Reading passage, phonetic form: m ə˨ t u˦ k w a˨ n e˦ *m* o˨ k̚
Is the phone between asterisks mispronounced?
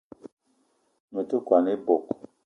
yes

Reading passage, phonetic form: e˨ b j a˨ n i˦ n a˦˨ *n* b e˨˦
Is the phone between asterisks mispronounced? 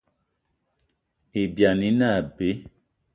yes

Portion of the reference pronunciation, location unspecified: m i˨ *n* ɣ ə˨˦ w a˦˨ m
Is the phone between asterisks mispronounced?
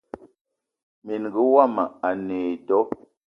no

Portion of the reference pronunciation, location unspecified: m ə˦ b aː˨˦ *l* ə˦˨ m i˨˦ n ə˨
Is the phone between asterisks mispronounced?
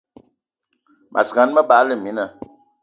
no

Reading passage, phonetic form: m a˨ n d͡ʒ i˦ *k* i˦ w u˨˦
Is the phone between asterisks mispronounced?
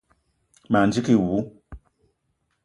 no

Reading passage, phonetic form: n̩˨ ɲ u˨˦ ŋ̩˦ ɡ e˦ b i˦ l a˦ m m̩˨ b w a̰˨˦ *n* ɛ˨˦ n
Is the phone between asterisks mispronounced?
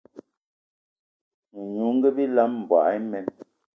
yes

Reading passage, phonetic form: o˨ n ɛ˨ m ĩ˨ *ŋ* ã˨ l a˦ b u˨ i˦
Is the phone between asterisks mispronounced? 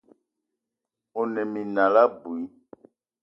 yes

